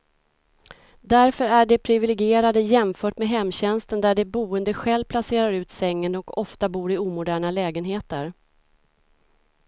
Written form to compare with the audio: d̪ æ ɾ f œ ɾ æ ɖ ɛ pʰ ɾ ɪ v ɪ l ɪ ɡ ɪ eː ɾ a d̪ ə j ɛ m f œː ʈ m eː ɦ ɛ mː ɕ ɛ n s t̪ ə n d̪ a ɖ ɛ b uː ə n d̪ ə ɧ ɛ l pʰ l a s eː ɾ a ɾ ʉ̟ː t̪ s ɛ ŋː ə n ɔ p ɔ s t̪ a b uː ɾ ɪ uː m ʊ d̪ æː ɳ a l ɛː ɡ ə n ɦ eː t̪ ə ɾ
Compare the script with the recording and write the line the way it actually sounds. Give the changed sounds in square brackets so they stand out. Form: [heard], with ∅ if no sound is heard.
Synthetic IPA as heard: d̪ æ ɾ f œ ɾ æ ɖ ɛ pʰ ɾ ɪ v ɪ l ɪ ɡ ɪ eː ɾ a d̪ ə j ɛ m f œː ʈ m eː ɦ ɛ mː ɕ ɛ n s t̪ ə n d̪ [æ] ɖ ɛ b uː ə n d̪ ə ɧ ɛ l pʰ l a s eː ɾ a ɾ ʉ̟ː t̪ s ɛ ŋː ə n ɔ [k] ɔ [f] t̪ a b uː ɾ ɪ uː m ʊ d̪ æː ɳ a l ɛː ɡ ə n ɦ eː t̪ ə ɾ